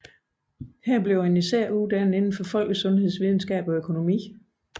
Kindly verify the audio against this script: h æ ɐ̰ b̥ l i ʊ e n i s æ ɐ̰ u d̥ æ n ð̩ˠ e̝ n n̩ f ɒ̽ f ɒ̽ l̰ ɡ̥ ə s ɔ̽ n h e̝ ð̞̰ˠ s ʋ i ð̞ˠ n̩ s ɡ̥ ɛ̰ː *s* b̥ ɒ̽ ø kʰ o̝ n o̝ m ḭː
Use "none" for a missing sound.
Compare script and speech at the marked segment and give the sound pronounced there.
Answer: none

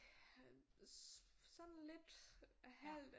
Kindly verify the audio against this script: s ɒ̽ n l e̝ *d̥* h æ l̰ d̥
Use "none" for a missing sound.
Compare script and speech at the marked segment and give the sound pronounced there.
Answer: d̥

